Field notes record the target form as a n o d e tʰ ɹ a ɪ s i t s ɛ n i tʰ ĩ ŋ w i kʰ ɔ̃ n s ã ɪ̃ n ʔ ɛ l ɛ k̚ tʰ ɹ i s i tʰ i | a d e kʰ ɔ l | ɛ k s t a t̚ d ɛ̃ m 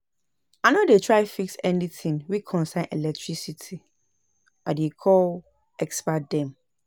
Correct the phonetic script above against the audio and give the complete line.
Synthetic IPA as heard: a n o d e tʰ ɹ a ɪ f i k s ɛ n i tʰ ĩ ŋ w i kʰ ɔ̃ n s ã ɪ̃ n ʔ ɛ l ɛ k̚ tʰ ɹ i s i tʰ i | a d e kʰ ɔ l | ɛ k s p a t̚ d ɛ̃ m